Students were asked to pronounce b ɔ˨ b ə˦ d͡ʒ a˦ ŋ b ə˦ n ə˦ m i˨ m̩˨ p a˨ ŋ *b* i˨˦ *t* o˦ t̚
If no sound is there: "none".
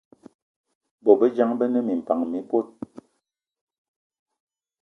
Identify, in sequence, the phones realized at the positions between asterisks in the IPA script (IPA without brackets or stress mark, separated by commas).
m, p